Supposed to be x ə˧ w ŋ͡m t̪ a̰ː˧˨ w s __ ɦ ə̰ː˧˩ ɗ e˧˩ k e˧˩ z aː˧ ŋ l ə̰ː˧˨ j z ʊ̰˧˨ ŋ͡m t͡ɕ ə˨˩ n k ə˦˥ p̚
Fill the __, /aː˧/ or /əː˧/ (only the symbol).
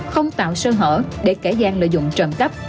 əː˧